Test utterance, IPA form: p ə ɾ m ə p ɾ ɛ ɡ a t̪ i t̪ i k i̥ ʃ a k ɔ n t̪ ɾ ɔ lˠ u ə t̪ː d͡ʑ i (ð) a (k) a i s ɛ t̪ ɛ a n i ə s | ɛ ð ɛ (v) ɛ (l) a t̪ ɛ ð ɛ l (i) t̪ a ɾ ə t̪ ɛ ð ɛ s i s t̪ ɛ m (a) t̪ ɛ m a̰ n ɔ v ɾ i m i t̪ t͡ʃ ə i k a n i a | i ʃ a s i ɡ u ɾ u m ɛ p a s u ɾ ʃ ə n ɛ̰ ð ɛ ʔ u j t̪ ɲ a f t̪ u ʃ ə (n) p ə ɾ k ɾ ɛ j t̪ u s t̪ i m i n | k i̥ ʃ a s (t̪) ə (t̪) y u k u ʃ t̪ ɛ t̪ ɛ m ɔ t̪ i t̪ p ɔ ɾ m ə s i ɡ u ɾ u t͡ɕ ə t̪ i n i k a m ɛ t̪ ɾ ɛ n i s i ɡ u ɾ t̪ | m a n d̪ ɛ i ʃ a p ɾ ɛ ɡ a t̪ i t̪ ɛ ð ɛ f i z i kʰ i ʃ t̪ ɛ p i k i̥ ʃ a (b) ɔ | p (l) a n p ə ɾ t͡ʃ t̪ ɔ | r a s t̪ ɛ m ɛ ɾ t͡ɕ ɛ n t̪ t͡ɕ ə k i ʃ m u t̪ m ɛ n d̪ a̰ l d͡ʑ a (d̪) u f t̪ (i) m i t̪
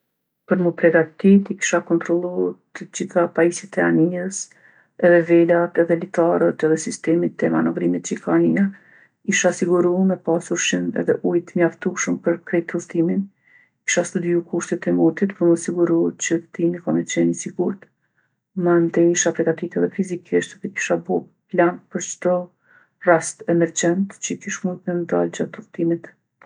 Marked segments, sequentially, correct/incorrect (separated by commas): incorrect, incorrect, correct, correct, correct, incorrect, incorrect, correct, incorrect, correct, correct, incorrect, correct